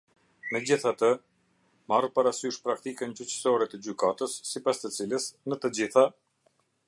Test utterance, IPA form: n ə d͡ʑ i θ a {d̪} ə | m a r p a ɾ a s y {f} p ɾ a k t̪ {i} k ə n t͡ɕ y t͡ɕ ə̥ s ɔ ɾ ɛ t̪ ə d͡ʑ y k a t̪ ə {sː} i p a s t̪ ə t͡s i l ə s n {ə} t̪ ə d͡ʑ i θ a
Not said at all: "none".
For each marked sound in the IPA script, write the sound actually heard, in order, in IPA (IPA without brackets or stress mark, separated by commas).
t̪, ʃ, i, sː, ə